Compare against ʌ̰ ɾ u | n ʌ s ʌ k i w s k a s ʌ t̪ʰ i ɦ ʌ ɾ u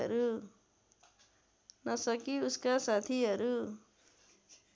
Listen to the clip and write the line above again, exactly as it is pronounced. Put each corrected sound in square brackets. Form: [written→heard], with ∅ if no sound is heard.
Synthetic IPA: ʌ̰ ɾ u | n ʌ s ʌ k i [w→u] s k a s [ʌ→a] t̪ʰ i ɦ ʌ ɾ u